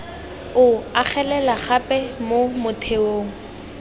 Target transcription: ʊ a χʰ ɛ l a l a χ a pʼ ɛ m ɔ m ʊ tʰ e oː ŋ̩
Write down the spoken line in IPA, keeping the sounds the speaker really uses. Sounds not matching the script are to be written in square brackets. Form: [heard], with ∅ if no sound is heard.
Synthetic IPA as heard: ʊ a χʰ ɛ l [ɛ] l a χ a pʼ ɛ m [o] m ʊ tʰ e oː ŋ̩